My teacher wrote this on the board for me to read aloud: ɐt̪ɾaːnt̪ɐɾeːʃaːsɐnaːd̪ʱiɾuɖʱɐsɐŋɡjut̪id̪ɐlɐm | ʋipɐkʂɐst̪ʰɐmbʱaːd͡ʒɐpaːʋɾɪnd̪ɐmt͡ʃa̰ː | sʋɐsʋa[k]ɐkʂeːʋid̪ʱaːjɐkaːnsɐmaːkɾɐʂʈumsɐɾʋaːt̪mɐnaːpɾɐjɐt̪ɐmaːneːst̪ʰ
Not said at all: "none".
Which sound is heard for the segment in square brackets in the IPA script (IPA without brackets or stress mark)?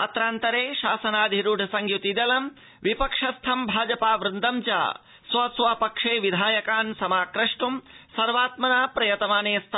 p